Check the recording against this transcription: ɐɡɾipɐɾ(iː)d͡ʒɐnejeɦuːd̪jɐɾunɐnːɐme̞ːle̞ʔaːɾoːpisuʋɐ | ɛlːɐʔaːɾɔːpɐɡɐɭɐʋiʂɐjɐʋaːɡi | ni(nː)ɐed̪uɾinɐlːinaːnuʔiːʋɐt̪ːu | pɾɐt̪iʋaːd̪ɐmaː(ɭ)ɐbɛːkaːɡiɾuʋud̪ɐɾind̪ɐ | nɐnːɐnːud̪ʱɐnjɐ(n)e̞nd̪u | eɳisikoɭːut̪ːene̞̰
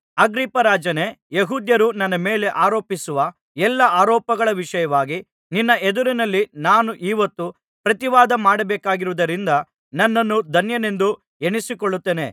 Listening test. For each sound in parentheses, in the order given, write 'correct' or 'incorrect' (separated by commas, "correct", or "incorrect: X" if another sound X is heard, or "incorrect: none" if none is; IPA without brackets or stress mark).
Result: incorrect: aː, correct, incorrect: ɽ, correct